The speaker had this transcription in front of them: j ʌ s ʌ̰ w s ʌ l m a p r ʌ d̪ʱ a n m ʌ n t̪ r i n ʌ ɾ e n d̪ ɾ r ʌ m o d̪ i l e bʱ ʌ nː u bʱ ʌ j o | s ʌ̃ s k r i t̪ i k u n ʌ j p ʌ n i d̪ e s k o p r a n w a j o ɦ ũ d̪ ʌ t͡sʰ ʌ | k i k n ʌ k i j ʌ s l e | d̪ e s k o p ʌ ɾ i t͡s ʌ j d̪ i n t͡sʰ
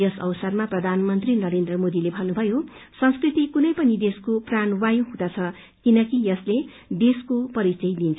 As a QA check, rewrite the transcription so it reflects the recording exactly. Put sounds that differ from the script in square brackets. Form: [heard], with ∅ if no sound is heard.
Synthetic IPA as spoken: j ʌ s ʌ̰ w s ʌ [r] m a p r ʌ d̪ʱ a n m ʌ n t̪ r i n ʌ ɾ e n d̪ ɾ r ʌ m o d̪ i l e bʱ ʌ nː u bʱ ʌ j o | s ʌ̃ s k r i t̪ i k u n ʌ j p ʌ n i d̪ e s k o p r a n w a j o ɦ ũ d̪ [a] t͡sʰ ʌ | k i [∅] n ʌ k i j ʌ s l e | d̪ e s k o p ʌ ɾ i t͡s ʌ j d̪ i n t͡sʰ

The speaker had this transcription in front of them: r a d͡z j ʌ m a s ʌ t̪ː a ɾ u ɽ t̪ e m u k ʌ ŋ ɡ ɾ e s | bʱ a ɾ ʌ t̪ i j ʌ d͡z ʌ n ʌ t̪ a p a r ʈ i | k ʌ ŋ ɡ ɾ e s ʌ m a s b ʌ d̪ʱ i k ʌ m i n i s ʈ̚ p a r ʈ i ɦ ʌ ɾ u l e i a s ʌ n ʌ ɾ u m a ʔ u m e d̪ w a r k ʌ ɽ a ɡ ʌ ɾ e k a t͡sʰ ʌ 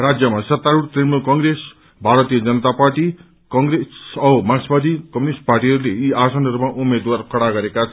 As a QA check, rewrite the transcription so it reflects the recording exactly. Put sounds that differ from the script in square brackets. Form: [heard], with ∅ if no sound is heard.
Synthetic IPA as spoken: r a d͡z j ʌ m a s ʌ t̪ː a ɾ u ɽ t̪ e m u k ʌ ŋ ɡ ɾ e s | bʱ a ɾ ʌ t̪ i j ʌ d͡z ʌ n ʌ t̪ a p a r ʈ i | k ʌ ŋ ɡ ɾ e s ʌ m a s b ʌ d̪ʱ i k ʌ m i n i s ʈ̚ p a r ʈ i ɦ ʌ ɾ u l e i a s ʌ n ʌ ɾ u m a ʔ u m e d̪ w a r k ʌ ɽ a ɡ ʌ ɾ e k a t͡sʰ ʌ

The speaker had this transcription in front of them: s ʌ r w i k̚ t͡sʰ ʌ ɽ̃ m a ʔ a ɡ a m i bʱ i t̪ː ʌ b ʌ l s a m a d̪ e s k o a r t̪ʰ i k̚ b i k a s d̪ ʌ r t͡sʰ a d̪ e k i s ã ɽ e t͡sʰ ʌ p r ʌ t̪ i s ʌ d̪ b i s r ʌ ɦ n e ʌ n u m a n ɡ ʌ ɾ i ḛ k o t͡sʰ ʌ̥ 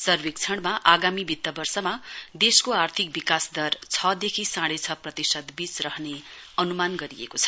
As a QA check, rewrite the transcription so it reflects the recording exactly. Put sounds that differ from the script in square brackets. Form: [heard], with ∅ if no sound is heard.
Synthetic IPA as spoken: s ʌ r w i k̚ t͡sʰ ʌ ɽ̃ m a ʔ a ɡ a m i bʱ i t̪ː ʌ b ʌ [r] s [ʌ] m a d̪ e s k o a r t̪ʰ i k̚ b i k a s d̪ ʌ r t͡sʰ [ʌ] d̪ e [kʰ] i s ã ɽ e t͡sʰ ʌ p r ʌ t̪ i s ʌ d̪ b i [t͡s] r ʌ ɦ n e ʌ n u m a n ɡ ʌ ɾ i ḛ k o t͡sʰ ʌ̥

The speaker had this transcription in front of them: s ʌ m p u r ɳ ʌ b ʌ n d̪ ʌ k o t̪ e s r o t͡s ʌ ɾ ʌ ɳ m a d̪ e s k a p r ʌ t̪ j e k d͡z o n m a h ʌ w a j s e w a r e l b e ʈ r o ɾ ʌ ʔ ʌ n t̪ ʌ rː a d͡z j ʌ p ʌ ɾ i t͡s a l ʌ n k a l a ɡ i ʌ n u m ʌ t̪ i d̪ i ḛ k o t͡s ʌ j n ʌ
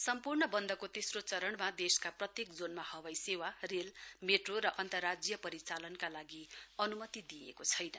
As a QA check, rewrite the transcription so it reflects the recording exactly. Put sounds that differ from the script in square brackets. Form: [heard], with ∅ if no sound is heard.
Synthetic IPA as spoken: s ʌ m p u r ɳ ʌ b ʌ n d̪ ʌ k o t̪ e s r o t͡s ʌ ɾ ʌ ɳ m a d̪ e s k a p r ʌ t̪ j e k d͡z o n m a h ʌ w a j s e w a r e l [m] e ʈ r o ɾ ʌ ʔ ʌ n t̪ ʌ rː a d͡z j ʌ p ʌ ɾ i t͡s a l ʌ n k a l a ɡ i ʌ n u m ʌ t̪ i d̪ i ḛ k o [t͡sʰ] ʌ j n ʌ

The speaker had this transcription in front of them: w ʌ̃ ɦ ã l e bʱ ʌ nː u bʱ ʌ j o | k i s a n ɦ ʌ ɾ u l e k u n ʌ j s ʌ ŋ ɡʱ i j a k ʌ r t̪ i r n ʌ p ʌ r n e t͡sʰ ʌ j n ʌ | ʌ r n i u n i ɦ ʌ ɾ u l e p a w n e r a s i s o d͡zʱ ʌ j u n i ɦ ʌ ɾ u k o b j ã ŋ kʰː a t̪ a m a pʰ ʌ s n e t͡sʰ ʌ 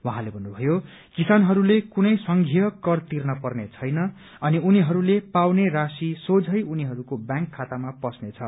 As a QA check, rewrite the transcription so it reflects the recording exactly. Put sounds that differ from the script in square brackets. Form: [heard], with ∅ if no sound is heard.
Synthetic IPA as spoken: w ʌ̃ ɦ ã l e bʱ ʌ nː u bʱ ʌ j o | k i s a n ɦ ʌ ɾ u l e k u n ʌ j s ʌ ŋ ɡʱ i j [ʌ] k ʌ r t̪ i r n ʌ p ʌ r n e t͡sʰ ʌ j n ʌ | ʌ [∅] n i u n i ɦ ʌ ɾ u l e p a w n e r a s i s o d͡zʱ ʌ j u n i ɦ ʌ ɾ u k o b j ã ŋ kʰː a t̪ a m a [p] ʌ s n e t͡sʰ ʌ

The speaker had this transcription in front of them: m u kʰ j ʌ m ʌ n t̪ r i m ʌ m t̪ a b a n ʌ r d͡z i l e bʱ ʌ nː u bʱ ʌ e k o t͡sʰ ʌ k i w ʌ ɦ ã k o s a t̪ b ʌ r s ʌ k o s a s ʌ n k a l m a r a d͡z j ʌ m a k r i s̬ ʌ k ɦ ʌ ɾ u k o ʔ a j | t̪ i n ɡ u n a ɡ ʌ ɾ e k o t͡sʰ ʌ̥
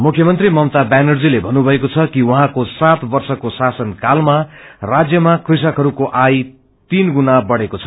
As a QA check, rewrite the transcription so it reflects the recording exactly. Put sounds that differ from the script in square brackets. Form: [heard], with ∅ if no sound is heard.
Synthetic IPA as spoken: m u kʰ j ʌ m ʌ n t̪ r i m ʌ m t̪ a b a n ʌ r d͡z i l e bʱ ʌ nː u bʱ ʌ e k o t͡sʰ ʌ k i w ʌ ɦ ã k o s a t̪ b ʌ r s ʌ k o s a s ʌ n k a l m a r a d͡z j ʌ m a k r i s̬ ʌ k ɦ ʌ ɾ u k o ʔ a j | t̪ i n ɡ u n a [b] ʌ [ɽ] e k o t͡sʰ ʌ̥

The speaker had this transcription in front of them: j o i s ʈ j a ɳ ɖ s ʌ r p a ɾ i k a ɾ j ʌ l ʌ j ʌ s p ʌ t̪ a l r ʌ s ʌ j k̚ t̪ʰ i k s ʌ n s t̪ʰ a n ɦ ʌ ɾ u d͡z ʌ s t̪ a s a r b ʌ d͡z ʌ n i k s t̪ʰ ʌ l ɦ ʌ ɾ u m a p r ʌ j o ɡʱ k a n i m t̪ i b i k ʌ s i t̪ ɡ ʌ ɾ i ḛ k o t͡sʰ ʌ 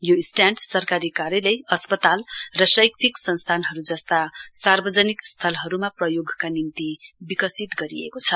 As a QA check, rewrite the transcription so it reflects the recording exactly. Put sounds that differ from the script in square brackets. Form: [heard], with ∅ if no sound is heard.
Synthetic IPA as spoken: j o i s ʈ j a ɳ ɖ s ʌ r [k] a ɾ i k a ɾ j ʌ l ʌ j ʌ s p ʌ t̪ a l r ʌ s ʌ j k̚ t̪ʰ i k s ʌ n s t̪ʰ a n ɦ ʌ ɾ u d͡z ʌ s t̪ a s a r b ʌ d͡z ʌ n i k s t̪ʰ ʌ l ɦ ʌ ɾ u m a p r ʌ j o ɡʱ k a n i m t̪ i b i k ʌ s i t̪ ɡ ʌ ɾ i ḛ k o t͡sʰ ʌ

